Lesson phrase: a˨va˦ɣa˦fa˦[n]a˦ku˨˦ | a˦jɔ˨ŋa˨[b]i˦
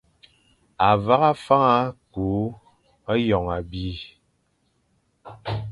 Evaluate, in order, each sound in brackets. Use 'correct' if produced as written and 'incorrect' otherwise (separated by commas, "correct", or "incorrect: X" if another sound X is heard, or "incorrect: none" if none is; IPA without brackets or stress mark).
incorrect: ŋ, correct